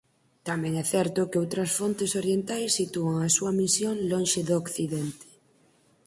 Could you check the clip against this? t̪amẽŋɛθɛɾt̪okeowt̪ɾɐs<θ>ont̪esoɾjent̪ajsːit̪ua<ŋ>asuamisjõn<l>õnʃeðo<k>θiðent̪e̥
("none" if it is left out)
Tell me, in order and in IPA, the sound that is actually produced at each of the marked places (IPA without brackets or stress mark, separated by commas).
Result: f, ŋ, l, k